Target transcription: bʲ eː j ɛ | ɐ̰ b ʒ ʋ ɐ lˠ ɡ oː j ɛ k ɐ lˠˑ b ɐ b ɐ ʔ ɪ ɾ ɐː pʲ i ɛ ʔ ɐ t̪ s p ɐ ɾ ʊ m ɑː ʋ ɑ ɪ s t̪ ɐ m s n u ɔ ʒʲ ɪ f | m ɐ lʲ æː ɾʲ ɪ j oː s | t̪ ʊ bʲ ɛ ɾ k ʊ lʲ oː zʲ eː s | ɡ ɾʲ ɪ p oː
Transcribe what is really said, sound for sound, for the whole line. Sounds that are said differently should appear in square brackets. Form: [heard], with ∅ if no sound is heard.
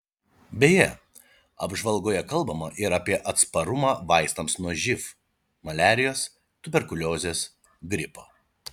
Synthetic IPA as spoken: bʲ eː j ɛ | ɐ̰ b ʒ ʋ ɐ lˠ ɡ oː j ɛ k ɐ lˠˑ b ɐ [m] ɐ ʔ ɪ ɾ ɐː pʲ i ɛ ʔ ɐ t̪ s p ɐ ɾ ʊ m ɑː ʋ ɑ ɪ s t̪ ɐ m s n u ɔ ʒʲ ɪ f | m ɐ lʲ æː ɾʲ ɪ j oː s | t̪ ʊ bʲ ɛ ɾ k ʊ lʲ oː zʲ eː s | ɡ ɾʲ ɪ p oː